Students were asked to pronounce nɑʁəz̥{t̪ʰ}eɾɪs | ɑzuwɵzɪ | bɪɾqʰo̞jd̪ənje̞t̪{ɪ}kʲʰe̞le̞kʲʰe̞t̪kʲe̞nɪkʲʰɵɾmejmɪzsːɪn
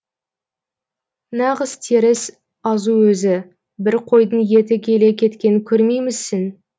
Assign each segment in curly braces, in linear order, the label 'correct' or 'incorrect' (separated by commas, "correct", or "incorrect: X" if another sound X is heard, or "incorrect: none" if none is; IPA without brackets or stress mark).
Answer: correct, correct